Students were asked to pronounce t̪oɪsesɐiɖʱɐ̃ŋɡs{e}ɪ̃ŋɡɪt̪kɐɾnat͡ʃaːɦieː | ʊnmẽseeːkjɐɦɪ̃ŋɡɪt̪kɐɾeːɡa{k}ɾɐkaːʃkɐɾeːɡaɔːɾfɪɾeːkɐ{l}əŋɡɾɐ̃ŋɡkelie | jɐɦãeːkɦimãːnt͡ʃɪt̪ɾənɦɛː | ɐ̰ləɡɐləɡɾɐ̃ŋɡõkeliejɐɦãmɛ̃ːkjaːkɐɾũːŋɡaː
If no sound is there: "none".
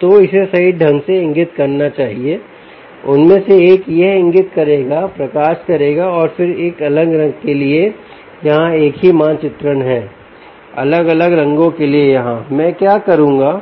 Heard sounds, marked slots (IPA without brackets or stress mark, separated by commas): e, p, l